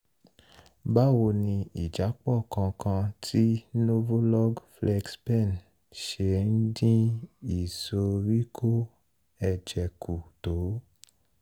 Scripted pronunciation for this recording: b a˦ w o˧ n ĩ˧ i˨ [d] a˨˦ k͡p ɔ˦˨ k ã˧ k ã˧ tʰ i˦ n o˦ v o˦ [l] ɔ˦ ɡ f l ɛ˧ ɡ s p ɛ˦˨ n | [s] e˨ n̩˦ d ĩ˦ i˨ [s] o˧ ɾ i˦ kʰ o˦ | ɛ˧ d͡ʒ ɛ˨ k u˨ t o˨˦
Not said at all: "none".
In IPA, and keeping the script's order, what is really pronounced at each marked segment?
d͡ʒ, l, ʃ, s

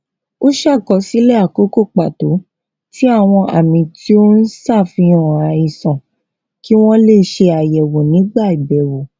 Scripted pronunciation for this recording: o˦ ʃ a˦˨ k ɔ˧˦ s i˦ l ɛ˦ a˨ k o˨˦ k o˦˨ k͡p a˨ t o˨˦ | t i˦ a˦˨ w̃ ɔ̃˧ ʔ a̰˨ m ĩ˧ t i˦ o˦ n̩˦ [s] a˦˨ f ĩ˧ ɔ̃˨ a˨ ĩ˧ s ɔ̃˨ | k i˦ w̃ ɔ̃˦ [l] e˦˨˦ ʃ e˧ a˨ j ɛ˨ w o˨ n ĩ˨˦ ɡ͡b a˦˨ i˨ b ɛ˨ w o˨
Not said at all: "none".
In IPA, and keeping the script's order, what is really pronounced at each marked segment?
s, l

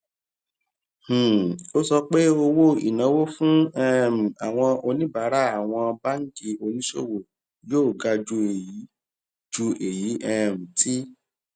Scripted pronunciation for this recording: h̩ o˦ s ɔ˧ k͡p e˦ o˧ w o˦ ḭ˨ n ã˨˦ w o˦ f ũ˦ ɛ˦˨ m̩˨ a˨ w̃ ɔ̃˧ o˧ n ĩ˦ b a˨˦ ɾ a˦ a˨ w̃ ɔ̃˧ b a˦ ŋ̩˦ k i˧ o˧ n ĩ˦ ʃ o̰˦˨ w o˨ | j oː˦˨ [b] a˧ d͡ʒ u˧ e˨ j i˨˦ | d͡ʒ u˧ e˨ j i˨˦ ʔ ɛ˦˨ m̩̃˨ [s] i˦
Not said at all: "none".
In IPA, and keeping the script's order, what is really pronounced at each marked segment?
ɡ, t

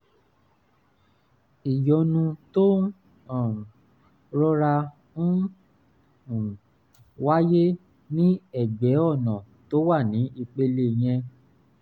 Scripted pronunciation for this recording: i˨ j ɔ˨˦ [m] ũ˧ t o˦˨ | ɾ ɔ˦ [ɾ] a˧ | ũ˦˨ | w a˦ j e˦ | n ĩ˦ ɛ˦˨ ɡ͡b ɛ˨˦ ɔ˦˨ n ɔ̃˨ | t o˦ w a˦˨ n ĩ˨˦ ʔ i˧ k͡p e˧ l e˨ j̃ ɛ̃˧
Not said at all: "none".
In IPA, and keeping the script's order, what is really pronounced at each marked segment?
n, ɾ

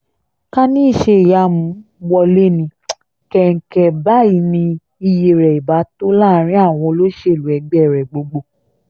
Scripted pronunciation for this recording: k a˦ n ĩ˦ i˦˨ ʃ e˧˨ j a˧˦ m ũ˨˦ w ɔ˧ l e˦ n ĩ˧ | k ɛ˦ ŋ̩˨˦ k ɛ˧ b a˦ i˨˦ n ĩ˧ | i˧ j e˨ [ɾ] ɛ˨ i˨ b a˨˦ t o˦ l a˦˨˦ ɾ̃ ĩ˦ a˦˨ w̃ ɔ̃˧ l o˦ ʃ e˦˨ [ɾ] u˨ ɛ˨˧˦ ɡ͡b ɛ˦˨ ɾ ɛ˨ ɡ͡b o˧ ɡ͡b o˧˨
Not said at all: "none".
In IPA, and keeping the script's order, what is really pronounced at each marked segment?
ɾ, l

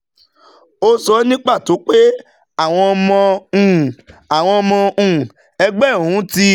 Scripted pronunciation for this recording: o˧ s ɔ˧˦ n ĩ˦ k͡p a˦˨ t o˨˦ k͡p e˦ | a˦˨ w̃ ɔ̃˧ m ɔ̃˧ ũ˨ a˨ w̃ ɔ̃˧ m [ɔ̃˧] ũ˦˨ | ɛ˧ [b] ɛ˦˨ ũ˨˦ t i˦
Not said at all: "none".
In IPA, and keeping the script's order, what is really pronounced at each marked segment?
ɔ̃˧, ɡ͡b

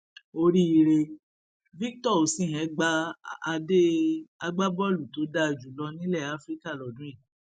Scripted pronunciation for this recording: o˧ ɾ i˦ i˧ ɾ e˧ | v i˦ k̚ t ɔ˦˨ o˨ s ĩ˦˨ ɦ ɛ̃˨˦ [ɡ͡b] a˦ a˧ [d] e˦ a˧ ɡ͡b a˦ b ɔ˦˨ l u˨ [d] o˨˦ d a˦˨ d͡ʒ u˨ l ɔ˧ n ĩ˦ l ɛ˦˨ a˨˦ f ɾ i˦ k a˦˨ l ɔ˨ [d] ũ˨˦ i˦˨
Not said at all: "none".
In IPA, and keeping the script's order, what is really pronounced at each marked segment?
ɡ͡b, d, t, d

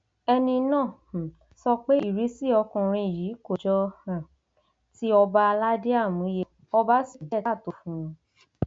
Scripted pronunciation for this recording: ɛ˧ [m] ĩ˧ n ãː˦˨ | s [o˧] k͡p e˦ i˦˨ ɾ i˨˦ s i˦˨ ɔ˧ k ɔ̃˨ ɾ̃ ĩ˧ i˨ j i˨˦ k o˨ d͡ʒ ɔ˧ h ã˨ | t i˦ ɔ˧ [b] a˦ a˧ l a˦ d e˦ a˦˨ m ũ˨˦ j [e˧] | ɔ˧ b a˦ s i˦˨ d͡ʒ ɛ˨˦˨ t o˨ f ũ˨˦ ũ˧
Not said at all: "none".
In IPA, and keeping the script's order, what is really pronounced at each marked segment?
n, ɔ˧, b, e˧

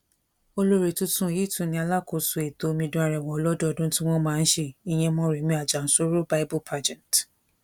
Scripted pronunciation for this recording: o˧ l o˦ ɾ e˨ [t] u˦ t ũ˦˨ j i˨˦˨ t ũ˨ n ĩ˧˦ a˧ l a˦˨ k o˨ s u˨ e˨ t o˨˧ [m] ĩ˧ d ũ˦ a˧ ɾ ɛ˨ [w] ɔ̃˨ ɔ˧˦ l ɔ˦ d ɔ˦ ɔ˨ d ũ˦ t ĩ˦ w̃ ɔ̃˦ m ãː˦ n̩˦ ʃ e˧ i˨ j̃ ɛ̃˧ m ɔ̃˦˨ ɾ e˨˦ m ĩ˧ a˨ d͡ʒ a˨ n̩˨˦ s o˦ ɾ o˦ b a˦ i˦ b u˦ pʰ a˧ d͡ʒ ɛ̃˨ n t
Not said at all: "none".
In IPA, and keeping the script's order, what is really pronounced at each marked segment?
t, m, w

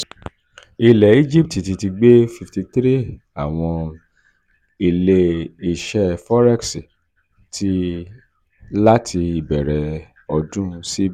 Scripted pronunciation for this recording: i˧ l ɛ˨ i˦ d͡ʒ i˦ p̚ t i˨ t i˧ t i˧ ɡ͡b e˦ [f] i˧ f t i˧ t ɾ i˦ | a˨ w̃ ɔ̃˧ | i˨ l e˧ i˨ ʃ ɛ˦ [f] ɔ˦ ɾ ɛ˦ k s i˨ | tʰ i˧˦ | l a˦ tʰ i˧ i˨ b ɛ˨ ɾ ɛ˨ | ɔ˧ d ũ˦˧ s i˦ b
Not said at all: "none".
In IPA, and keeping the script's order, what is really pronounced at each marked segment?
f, f

